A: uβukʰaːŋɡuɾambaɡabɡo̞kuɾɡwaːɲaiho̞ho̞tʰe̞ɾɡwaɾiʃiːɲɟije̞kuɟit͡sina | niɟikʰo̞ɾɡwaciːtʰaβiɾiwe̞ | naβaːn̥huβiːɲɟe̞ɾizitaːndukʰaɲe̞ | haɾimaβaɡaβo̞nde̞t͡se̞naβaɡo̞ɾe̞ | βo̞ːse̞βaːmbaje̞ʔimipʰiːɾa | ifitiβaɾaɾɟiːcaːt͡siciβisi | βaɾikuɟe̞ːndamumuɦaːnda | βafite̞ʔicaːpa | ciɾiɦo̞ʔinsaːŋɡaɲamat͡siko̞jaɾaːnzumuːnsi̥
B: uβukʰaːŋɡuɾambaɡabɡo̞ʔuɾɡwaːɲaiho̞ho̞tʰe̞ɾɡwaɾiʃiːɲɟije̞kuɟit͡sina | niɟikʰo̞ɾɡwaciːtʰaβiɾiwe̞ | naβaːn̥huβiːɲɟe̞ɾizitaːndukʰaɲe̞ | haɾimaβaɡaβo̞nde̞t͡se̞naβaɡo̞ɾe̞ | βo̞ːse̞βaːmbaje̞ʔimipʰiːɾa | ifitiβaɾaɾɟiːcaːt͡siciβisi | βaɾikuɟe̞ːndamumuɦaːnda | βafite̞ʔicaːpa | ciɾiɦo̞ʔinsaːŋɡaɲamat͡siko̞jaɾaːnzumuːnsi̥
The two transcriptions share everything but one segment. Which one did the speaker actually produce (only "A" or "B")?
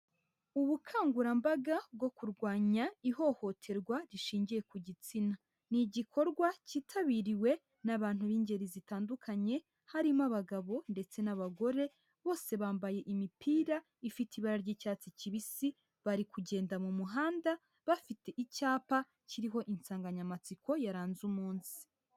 A